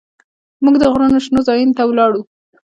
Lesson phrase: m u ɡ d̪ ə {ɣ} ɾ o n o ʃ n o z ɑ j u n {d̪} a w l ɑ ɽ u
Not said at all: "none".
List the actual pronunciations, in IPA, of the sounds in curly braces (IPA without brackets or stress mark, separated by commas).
ɣ, t̪